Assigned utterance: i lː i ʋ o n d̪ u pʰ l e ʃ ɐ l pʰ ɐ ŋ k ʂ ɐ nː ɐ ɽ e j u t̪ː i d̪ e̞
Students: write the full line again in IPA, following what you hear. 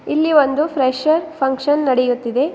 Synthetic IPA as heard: i lː i ʋ o n d̪ u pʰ ɾ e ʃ ɐ ɾ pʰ ɐ ŋ k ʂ ɐ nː ɐ ɽ e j u t̪ː i d̪ e̞